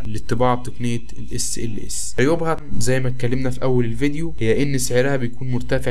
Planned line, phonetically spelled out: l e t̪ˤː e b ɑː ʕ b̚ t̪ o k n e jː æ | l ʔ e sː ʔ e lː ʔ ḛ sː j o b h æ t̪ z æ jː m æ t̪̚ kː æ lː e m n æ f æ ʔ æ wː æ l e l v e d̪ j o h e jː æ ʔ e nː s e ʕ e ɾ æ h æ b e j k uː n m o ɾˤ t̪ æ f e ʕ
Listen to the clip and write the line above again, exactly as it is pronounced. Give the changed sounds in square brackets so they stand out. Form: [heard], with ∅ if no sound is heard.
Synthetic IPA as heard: l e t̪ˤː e b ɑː ʕ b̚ t̪ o k n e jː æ | l ʔ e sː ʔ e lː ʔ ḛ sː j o b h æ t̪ z æ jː m æ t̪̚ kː æ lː e m n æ f [i] ʔ æ wː æ l e l v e d̪ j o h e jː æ ʔ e nː s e ʕ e ɾ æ h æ b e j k uː n m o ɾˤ t̪ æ f e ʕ